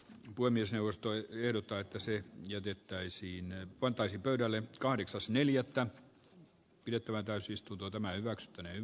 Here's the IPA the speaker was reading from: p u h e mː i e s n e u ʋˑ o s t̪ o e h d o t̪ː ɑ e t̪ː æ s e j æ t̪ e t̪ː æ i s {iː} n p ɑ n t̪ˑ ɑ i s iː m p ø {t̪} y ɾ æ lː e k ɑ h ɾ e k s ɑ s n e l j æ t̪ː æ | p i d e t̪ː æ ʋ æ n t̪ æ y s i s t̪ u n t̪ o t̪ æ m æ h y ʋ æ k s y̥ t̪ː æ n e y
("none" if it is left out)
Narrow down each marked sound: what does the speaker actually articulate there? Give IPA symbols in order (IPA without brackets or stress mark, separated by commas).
iː, none